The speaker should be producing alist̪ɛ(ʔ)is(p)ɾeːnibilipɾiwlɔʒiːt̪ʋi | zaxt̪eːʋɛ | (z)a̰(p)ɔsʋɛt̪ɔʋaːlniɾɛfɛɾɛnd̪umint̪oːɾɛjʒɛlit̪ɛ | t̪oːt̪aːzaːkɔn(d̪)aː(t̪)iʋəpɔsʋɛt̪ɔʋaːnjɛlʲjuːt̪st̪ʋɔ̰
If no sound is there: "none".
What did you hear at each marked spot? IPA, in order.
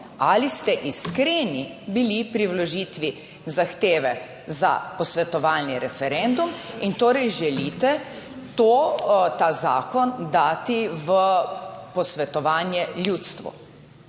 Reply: ʔ, k, z, p, d̪, t̪

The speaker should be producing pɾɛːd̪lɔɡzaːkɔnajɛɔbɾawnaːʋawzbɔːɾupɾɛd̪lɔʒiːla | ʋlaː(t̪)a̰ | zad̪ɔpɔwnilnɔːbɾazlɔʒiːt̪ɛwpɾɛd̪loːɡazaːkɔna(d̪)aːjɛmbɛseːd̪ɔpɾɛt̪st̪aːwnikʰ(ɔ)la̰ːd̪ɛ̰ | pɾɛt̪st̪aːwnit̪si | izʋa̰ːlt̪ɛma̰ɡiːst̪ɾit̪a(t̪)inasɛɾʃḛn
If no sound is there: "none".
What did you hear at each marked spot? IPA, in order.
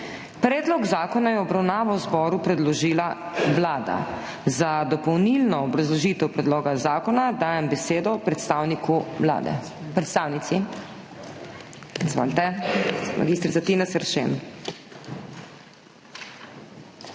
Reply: d̪, d̪, u, t̪

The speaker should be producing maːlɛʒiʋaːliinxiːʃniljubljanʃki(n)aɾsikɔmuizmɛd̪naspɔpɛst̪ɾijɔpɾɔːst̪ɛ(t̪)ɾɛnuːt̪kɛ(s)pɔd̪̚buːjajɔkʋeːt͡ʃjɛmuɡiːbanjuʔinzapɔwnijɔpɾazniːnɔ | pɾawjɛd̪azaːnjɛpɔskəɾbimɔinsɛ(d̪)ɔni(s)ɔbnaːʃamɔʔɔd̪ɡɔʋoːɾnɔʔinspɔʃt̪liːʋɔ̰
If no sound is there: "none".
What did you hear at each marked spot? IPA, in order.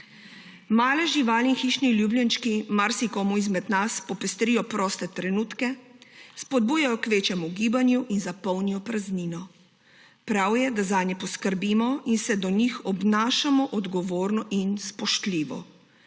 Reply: m, t̪, s, d̪, x

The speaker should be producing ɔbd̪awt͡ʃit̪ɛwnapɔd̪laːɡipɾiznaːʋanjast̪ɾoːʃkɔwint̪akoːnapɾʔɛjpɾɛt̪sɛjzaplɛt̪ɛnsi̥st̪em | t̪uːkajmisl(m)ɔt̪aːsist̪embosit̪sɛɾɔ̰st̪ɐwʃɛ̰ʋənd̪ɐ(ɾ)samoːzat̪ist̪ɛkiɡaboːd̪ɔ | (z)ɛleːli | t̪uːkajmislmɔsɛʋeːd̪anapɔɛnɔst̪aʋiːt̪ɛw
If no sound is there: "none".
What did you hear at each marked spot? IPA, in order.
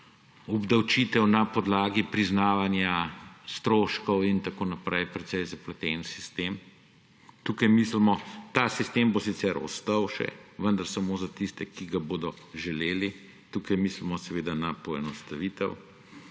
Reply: m, ɾ, ʒ

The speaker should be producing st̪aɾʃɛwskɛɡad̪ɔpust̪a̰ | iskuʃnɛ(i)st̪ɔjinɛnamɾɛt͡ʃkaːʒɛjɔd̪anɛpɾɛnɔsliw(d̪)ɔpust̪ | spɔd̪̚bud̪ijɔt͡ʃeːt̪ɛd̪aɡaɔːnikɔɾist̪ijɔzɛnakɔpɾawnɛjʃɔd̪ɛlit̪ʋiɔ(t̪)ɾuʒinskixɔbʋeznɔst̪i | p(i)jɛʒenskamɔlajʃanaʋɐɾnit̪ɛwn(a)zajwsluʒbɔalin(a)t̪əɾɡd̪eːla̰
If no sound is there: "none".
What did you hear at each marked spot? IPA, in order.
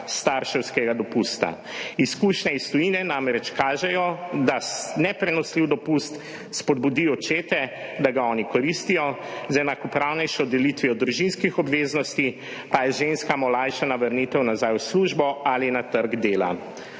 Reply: i, d̪, d̪, a, a, a

